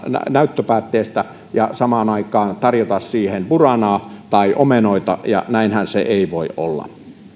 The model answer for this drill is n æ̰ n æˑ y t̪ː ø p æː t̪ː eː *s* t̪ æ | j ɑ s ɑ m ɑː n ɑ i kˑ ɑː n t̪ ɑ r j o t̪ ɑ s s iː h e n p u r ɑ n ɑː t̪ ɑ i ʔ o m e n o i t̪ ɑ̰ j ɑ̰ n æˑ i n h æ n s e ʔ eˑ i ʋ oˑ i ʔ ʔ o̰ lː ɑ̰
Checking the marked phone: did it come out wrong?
no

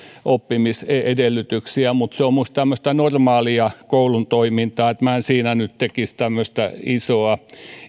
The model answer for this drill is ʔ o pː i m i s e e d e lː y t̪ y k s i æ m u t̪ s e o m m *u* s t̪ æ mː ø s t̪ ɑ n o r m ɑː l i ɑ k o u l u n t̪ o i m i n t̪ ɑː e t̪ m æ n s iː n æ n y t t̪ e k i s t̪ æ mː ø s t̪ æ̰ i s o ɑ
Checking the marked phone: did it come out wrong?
no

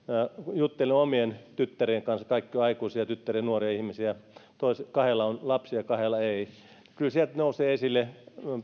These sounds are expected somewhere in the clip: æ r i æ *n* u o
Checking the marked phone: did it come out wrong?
no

